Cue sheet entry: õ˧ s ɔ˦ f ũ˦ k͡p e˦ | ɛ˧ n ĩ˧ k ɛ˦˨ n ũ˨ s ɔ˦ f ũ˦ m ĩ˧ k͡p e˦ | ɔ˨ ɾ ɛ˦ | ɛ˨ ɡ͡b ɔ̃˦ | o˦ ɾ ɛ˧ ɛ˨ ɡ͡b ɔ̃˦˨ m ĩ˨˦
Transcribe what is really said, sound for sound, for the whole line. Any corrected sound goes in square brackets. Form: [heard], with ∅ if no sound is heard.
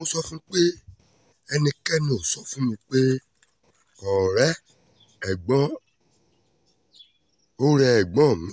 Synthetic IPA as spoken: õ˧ s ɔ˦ f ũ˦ k͡p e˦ | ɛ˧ n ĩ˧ k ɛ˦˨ n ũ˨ s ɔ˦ f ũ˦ m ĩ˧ k͡p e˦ | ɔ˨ ɾ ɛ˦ | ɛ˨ ɡ͡b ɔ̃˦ | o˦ ɾ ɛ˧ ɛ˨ ɡ͡b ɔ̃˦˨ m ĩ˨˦